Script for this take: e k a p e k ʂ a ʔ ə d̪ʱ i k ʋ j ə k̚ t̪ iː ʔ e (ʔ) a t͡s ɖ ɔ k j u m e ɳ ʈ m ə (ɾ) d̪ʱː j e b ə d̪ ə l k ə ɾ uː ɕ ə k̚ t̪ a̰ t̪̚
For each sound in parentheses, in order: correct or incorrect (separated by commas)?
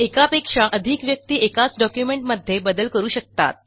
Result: incorrect, incorrect